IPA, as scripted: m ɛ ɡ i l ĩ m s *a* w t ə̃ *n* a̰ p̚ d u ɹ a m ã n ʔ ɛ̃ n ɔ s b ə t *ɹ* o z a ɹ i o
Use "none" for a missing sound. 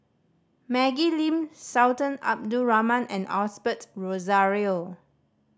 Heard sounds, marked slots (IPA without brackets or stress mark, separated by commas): a, n, ɹ